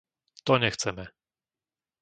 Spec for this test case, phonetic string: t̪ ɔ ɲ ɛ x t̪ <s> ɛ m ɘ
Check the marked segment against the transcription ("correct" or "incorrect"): correct